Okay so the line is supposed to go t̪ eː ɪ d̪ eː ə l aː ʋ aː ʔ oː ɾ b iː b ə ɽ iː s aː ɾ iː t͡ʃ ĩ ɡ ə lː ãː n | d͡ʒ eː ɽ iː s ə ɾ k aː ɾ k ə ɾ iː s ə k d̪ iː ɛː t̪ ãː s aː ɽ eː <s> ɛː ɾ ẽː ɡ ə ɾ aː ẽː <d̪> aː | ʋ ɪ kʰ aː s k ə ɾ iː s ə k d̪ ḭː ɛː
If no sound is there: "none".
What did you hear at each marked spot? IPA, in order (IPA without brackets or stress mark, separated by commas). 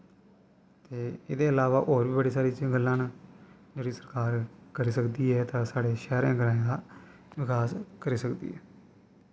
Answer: ʃ, d̪